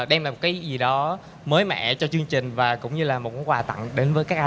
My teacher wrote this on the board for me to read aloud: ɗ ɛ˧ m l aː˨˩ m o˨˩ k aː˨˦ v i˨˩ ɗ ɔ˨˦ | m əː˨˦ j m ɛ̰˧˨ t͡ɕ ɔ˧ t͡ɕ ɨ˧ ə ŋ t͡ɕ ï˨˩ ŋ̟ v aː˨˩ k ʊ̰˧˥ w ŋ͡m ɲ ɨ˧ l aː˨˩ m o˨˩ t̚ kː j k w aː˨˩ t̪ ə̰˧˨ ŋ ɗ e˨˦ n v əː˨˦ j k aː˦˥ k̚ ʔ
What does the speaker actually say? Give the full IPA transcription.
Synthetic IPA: ɗ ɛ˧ m l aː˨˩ m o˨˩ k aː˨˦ z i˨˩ ɗ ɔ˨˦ | m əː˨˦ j m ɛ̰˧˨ t͡ɕ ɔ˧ t͡ɕ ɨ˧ ə ŋ t͡ɕ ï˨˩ ŋ̟ v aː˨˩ k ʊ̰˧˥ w ŋ͡m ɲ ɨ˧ l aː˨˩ m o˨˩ t̚ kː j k w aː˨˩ t̪ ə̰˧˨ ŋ ɗ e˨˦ n v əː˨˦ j k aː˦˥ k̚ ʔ